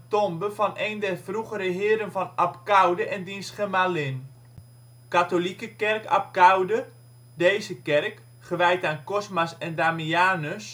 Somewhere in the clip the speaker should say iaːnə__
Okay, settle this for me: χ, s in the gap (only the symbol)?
s